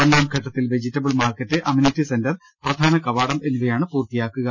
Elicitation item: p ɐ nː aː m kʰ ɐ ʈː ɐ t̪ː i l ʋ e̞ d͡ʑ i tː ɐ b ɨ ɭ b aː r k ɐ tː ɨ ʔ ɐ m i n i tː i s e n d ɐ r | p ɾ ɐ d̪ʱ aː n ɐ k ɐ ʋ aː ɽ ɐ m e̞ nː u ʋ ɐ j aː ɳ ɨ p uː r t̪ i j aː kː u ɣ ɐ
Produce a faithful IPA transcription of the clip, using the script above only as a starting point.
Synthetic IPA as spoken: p ɐ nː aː m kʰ ɐ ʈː ɐ t̪ː i l ʋ e̞ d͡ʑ i tː ɐ b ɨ ɭ m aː r k ɐ tː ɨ ʔ ɐ m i n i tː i s e n d ɐ r | p r ɐ d̪ʱ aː n ɐ k ɐ ʋ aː ɽ ɐ m e̞ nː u ʋ ɐ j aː ɳ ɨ p uː r t̪ i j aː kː u ɣ ɐ